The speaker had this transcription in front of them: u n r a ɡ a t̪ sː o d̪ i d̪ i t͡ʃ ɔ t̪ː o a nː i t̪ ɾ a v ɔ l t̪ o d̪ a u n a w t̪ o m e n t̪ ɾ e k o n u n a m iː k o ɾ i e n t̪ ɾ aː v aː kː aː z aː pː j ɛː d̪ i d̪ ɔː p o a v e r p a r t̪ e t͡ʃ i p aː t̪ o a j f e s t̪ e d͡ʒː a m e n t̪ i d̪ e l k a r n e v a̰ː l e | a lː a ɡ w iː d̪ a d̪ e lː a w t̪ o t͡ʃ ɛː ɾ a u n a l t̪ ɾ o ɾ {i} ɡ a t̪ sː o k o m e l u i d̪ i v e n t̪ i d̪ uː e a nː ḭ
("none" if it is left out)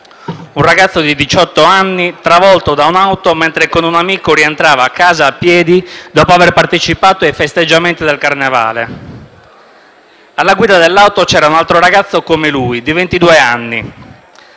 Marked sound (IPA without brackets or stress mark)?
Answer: a